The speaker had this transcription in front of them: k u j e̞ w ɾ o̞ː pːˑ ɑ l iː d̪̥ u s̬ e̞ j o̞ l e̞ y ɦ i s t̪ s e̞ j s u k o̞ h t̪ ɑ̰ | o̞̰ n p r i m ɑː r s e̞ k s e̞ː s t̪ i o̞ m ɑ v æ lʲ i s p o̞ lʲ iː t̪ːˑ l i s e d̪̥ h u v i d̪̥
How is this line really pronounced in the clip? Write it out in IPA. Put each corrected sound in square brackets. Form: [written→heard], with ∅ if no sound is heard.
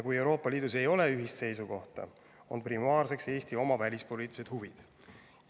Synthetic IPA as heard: k u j e̞ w ɾ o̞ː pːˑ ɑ l iː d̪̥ u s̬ e̞ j o̞ l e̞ y ɦ i s t̪ s e̞ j s u k o̞ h t̪ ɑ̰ | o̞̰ n p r i m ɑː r s e̞ k s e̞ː s t̪ i o̞ m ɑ v æ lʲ i s p o̞ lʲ iː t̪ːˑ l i s e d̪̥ h u v i d̪̥